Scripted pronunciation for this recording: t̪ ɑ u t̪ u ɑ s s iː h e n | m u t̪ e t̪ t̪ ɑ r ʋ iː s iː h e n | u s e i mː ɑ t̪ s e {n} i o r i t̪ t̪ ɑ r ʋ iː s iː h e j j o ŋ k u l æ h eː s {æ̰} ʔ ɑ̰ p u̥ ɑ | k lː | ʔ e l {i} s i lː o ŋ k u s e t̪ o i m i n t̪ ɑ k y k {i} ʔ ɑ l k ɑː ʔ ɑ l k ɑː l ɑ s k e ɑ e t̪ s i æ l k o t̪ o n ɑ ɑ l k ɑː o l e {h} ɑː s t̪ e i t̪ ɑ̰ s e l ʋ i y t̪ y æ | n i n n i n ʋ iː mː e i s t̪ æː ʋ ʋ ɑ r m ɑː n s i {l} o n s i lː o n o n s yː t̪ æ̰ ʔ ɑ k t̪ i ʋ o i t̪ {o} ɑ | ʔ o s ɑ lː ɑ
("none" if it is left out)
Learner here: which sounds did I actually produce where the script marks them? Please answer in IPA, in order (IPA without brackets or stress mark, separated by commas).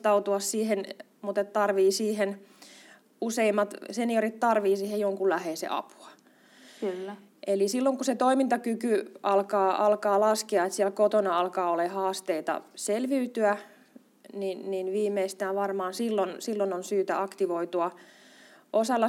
n, ḛ, i, y, h, lː, u